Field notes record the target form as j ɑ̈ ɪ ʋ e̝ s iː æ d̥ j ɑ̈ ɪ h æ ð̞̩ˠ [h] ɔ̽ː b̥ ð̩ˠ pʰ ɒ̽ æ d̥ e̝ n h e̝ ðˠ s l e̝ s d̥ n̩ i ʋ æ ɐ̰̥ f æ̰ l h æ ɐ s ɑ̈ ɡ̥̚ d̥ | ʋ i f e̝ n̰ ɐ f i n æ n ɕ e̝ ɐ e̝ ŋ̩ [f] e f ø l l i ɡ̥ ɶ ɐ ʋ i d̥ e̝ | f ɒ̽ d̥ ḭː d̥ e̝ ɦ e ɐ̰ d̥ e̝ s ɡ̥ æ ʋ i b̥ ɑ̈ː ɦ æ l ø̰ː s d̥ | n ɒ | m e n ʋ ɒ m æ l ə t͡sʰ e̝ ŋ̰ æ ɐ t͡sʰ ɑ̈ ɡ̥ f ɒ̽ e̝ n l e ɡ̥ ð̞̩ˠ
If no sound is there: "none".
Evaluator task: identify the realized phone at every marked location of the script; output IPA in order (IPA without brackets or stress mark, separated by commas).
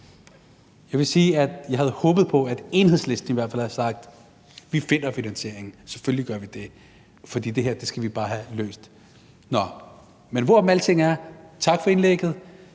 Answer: h, s